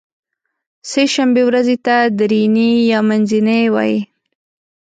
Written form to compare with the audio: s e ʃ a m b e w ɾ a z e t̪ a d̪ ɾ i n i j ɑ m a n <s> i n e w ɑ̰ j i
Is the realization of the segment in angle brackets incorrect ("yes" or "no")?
yes